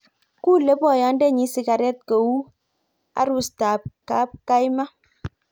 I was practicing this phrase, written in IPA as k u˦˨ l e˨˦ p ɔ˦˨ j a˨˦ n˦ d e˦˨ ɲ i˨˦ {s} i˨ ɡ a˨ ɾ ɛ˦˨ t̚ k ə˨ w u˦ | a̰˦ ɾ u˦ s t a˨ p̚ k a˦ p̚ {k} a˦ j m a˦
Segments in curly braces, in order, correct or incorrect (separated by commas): correct, correct